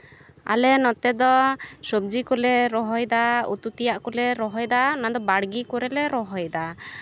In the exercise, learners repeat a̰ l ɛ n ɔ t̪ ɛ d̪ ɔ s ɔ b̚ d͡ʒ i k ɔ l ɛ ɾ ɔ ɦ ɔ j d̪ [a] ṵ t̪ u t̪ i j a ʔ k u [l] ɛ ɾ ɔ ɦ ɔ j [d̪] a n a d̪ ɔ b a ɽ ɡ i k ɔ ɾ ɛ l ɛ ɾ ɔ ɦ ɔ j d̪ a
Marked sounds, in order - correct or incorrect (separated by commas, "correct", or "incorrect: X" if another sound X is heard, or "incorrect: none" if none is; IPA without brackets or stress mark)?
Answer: correct, correct, correct